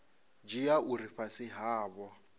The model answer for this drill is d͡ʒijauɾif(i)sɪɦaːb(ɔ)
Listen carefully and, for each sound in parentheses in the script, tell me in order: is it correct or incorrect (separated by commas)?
incorrect, correct